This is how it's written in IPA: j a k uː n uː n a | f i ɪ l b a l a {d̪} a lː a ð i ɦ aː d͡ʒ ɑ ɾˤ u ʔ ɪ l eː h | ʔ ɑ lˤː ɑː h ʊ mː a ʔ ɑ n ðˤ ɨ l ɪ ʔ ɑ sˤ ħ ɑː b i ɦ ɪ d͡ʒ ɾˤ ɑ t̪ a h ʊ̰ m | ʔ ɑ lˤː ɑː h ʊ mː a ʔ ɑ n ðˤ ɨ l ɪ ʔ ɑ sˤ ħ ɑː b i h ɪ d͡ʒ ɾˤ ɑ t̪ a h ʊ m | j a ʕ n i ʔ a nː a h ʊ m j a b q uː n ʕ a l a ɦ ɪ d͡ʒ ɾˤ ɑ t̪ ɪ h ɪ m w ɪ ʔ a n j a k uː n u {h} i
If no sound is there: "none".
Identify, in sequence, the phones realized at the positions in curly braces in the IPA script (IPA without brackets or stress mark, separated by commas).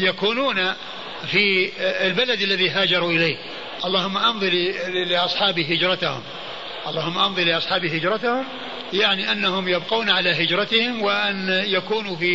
d̪, f